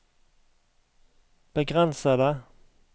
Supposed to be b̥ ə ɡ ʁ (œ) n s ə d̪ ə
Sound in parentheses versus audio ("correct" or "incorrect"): incorrect